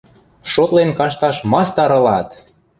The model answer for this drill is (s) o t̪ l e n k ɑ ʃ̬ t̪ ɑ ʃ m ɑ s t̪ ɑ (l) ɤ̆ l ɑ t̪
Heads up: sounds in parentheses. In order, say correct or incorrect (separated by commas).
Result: incorrect, incorrect